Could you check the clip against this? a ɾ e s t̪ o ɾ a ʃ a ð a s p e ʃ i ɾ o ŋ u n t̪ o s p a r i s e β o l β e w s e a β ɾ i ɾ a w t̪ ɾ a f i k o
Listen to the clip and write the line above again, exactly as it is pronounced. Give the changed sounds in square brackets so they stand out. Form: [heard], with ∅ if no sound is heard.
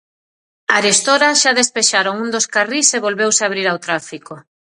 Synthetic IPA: a ɾ e s t̪ o ɾ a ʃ a ð [e] s p e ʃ [a] ɾ o ŋ u n [d̪] o s [k] a r i s e β o l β e w s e a β ɾ i ɾ a w t̪ ɾ a f i k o